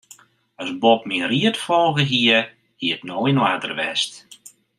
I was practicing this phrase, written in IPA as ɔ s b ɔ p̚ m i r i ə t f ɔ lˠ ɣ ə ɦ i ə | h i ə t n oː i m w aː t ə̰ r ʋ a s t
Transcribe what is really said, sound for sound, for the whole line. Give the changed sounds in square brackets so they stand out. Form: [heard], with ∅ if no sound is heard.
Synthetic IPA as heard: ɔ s b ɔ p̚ m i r i ə t f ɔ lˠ ɣ ə ɦ i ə | h i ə t n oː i [n] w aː t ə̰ r ʋ [ɛ] s t

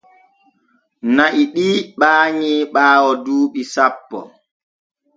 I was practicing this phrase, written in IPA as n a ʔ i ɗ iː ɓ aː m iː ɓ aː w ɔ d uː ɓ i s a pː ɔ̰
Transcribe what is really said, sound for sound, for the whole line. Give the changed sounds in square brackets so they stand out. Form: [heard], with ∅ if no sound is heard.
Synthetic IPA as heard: n a ʔ i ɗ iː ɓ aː [ɲ] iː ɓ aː w ɔ d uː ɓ i s a pː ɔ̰

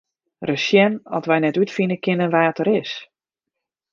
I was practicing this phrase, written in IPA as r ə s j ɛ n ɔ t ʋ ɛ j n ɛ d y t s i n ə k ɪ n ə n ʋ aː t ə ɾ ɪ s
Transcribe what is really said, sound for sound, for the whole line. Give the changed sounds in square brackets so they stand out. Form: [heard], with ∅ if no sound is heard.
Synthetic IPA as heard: r ə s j ɛ n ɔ t ʋ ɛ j n ɛ [t] y t [f] i n ə k ɪ n ə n ʋ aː t ə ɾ ɪ s

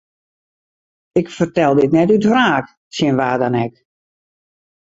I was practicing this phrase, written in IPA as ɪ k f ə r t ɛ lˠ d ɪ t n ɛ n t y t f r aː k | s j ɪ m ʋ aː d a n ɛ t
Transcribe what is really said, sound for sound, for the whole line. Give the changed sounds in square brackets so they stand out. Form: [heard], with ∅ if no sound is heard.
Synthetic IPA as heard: ɪ k f ə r t ɛ lˠ d ɪ t n ɛ [∅] t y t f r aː k | s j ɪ [n] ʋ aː d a n ɛ [k]

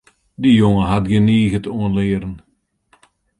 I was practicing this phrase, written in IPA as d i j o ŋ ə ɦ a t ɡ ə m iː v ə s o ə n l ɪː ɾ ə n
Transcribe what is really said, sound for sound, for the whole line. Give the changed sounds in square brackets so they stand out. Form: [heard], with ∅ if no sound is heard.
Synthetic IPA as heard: d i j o ŋ ə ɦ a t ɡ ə [n] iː [ɣ] ə [t] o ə n l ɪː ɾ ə n

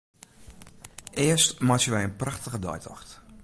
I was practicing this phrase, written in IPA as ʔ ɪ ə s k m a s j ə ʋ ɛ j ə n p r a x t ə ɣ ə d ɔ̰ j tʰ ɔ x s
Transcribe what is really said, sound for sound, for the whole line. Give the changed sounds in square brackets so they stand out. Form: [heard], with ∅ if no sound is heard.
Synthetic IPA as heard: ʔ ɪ ə s [t] m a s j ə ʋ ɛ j ə n p r a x t ə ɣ ə d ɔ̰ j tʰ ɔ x [t]

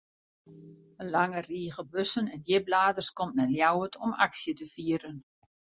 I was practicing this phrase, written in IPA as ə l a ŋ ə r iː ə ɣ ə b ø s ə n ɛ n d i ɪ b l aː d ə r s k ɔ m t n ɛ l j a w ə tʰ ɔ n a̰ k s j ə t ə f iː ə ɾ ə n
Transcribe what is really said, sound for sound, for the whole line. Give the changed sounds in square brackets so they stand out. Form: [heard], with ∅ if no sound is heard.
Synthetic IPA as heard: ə l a ŋ ə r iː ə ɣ ə b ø s ə n ɛ n d [j] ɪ b l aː d ə r s k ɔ m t n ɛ l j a w ə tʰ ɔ [m] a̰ k s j ə t ə f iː ə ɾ ə n

